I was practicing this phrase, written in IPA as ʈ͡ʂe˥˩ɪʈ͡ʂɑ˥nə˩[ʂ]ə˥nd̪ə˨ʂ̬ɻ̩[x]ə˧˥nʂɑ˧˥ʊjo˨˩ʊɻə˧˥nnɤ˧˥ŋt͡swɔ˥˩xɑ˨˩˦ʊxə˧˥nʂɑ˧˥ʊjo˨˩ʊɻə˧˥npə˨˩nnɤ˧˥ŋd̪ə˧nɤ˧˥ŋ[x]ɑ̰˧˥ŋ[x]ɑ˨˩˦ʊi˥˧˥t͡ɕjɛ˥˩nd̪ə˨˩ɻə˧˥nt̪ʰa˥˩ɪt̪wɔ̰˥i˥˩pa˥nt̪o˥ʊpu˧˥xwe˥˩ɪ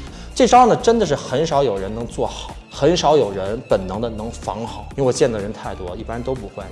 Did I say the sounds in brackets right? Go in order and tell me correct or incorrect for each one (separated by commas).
incorrect, correct, incorrect, correct